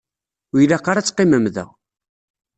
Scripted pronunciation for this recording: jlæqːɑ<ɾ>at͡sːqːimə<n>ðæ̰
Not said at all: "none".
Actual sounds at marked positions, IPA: ɾ, m

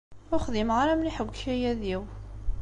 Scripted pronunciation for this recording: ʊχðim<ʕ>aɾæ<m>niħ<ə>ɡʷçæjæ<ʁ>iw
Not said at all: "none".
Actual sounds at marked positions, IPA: ʁ, m, ə, ð

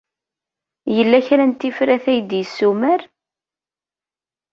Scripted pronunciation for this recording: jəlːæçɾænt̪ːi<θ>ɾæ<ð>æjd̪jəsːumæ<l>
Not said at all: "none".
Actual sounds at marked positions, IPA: f, θ, ɾ

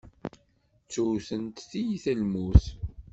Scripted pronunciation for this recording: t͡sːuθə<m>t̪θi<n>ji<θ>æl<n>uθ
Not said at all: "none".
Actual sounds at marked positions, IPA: n, none, θ, m

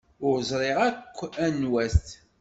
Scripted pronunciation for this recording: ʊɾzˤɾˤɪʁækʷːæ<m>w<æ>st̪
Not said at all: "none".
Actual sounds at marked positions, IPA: n, æ

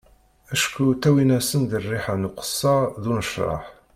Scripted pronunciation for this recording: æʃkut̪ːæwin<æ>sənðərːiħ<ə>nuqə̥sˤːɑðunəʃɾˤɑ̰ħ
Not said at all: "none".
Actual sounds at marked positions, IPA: æ, a

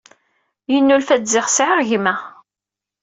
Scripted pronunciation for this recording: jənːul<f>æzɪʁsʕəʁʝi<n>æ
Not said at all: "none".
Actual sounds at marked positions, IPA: f, m

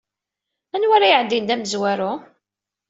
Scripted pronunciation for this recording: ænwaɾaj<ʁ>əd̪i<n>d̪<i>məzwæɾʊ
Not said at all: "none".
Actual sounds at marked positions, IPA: ʕ, n, æ

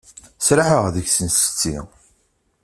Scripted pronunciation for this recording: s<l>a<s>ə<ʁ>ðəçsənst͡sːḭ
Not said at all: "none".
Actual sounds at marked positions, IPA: ɾ, ħ, ʁ

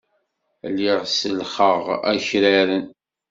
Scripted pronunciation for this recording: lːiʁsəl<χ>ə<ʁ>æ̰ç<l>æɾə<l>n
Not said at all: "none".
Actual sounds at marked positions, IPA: χ, ʁ, ɾ, none

